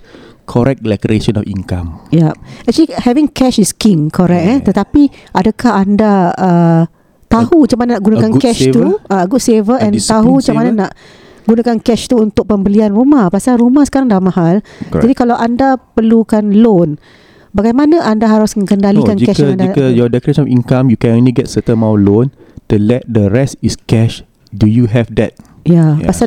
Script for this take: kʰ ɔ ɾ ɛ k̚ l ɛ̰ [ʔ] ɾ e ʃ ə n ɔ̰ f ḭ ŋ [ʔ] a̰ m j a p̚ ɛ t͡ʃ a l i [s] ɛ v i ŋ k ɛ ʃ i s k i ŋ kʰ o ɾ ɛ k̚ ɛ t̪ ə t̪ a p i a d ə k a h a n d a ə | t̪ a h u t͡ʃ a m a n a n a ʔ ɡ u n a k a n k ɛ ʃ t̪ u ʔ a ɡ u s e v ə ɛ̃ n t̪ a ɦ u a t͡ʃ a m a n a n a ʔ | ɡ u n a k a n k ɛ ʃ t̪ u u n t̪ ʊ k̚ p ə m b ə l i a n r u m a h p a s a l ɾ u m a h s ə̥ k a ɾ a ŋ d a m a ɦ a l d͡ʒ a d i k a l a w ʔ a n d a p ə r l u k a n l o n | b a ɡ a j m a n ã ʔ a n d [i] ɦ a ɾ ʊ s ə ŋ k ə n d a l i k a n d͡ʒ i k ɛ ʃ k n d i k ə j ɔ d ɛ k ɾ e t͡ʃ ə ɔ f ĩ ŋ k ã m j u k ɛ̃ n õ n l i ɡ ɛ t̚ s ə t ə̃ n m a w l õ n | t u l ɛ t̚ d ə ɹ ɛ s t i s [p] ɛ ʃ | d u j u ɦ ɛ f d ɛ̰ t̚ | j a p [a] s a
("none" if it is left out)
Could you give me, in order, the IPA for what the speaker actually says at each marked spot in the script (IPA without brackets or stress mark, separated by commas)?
k, k, h, a, k, a